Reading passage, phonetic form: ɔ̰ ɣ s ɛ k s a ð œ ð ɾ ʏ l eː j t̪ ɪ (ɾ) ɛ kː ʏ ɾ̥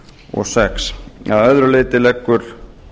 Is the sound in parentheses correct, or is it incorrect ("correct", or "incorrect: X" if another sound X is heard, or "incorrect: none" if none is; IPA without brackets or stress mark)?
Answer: incorrect: l